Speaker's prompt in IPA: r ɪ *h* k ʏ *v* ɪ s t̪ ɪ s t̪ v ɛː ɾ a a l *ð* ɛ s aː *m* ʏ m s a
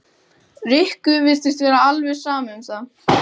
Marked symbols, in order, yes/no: yes, yes, no, yes

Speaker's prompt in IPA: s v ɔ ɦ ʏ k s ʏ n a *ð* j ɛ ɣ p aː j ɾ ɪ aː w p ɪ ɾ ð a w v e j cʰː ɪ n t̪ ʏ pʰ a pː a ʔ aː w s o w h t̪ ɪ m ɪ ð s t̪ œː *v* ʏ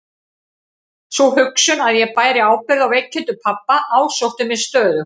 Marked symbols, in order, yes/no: yes, no

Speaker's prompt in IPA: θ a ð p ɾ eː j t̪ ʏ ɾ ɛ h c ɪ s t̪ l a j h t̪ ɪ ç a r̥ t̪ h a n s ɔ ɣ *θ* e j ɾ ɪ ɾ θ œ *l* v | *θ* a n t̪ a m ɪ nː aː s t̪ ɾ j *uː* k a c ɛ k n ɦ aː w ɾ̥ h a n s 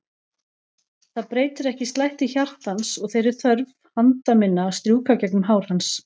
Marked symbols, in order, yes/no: yes, no, no, yes

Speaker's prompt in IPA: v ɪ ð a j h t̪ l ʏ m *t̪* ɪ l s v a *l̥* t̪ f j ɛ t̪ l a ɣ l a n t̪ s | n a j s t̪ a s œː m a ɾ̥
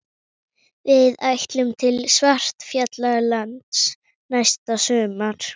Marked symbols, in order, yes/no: no, no

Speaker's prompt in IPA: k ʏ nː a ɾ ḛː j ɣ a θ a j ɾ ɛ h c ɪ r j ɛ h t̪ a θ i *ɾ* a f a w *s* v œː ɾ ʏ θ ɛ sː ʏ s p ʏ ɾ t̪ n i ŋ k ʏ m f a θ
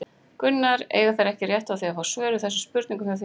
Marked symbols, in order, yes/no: no, yes

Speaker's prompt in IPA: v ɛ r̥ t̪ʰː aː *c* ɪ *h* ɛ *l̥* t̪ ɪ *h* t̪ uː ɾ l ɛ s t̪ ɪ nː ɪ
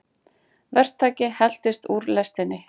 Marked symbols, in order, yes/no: yes, yes, yes, no

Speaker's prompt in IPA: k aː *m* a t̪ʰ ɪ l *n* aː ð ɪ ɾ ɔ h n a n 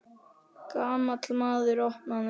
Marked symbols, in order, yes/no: yes, no

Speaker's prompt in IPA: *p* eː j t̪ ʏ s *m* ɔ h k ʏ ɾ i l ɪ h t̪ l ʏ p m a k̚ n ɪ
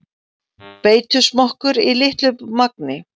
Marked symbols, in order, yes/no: yes, yes

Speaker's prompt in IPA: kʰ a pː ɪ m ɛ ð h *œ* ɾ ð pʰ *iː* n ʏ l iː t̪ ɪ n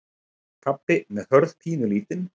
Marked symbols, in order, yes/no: yes, yes

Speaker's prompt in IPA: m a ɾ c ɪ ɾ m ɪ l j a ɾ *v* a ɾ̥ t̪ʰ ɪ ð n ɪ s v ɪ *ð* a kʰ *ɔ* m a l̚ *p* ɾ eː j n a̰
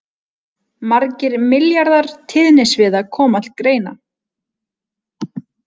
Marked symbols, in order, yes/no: no, yes, no, no

